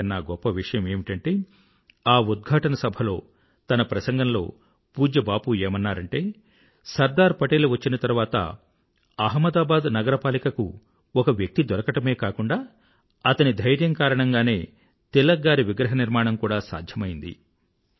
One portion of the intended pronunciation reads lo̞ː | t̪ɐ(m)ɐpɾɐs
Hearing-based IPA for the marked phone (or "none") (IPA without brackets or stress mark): n